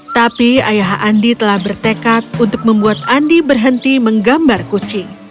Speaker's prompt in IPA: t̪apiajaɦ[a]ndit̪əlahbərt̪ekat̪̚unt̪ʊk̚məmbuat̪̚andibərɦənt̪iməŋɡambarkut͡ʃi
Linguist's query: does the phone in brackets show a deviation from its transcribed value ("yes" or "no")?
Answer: no